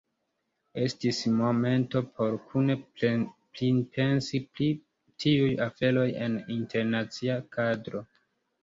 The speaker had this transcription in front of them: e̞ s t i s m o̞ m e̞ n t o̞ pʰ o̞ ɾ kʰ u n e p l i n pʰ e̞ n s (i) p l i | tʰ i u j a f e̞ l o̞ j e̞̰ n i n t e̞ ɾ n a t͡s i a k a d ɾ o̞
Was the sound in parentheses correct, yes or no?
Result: yes